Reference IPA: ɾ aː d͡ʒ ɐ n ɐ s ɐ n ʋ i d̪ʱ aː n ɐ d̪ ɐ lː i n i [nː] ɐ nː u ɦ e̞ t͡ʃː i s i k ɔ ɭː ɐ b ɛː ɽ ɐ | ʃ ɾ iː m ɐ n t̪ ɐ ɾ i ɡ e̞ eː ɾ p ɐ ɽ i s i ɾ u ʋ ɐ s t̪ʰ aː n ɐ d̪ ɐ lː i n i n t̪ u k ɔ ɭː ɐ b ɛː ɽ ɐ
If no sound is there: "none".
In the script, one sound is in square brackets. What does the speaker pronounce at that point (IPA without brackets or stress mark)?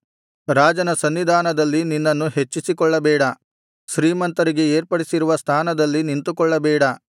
nː